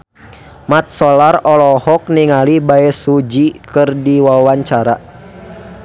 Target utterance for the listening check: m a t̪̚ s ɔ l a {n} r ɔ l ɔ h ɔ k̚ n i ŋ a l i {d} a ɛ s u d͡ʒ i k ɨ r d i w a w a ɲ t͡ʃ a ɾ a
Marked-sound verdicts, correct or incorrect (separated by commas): incorrect, incorrect